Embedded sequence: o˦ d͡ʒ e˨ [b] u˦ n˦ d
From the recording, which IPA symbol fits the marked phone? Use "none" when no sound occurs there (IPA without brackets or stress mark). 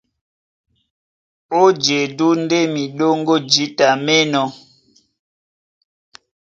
d